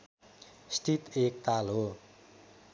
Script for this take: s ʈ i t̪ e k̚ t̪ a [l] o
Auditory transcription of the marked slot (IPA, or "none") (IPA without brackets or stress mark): l